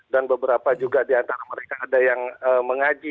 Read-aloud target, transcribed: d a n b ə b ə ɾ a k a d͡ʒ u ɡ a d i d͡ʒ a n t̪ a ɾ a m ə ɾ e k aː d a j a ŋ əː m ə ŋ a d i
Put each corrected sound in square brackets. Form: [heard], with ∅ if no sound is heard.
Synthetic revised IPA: d a n b ə b ə ɾ a [p] a d͡ʒ u ɡ a d i [∅] a n t̪ a ɾ a m ə ɾ e k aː d a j a ŋ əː m ə ŋ a [d͡ʒ] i